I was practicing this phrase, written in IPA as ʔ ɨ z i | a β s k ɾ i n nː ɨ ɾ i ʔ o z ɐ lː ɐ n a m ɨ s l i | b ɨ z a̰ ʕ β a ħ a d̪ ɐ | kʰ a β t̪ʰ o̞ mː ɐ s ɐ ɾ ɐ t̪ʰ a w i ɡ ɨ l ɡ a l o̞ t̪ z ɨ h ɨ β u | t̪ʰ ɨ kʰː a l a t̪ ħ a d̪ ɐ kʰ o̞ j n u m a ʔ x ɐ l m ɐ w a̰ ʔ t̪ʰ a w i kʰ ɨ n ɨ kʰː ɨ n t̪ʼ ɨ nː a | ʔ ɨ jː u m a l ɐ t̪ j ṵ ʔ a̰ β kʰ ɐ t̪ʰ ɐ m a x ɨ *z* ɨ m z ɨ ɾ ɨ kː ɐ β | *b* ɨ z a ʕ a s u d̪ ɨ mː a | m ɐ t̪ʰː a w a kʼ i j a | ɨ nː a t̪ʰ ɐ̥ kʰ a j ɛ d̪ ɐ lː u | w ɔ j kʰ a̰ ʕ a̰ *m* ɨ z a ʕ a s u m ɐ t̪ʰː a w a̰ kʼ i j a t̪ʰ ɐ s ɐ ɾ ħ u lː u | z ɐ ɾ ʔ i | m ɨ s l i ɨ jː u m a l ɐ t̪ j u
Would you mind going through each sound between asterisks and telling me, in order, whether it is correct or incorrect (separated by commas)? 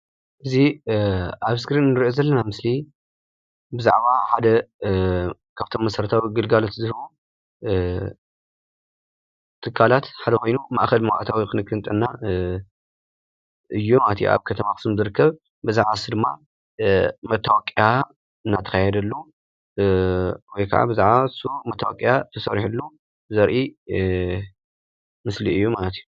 incorrect, correct, incorrect